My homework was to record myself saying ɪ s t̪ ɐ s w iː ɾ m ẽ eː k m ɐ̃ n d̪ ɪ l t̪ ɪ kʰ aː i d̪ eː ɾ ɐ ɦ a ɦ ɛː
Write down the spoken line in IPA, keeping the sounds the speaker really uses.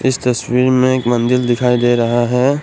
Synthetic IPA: ɪ s t̪ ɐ s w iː ɾ m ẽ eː k m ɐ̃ n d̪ ɪ l d̪ ɪ kʰ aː i d̪ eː ɾ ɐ ɦ a ɦ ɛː